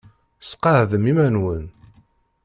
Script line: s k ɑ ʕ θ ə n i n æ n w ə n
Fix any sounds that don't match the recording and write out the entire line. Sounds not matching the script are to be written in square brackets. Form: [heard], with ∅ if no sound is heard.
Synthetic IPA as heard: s [q] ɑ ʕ [ð] ə [m] i [m] æ n w ə n